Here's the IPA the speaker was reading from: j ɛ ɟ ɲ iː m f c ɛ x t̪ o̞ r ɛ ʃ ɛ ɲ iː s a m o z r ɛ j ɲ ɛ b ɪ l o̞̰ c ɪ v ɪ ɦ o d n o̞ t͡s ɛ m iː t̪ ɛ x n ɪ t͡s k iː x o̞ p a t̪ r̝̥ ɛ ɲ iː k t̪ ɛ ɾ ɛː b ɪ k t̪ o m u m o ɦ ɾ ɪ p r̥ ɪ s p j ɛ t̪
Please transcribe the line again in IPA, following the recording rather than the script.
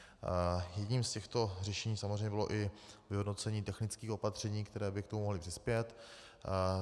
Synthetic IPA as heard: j ɛ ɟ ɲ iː m s c ɛ x t̪ o̞ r ɛ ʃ ɛ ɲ iː s a m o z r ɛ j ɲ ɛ b ɪ l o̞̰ ʔ ɪ v ɪ ɦ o d n o̞ t͡s ɛ ɲ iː t̪ ɛ x n ɪ t͡s k iː x o̞ p a t̪ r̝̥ ɛ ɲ iː k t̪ ɛ ɾ ɛː b ɪ k t̪ o m u m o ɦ l ɪ p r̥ ɪ s p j ɛ t̪